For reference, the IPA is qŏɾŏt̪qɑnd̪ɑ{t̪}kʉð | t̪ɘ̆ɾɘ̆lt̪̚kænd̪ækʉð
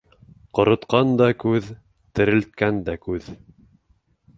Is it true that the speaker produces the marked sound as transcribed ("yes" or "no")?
no